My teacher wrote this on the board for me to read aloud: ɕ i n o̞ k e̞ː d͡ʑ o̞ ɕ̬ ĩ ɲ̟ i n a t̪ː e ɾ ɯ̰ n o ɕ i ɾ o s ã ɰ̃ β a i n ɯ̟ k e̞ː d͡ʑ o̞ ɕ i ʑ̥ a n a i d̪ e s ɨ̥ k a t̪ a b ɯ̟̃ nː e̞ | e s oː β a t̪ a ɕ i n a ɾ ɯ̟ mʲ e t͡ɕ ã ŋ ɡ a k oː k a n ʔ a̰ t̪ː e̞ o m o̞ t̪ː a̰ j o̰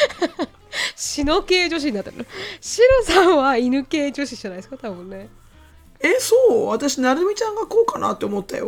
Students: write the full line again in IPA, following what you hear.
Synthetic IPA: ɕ i n o̞ k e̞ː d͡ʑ o̞ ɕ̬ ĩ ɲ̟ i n a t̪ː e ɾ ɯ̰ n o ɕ i ɾ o s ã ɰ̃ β a i n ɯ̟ k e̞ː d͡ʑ o̞ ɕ i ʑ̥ a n a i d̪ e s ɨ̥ k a t̪ a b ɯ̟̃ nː e̞ | e s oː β a t̪ a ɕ i n a ɾ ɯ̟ mʲ i t͡ɕ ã ŋ ɡ a k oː k a n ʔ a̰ t̪ː e̞ o m o̞ t̪ː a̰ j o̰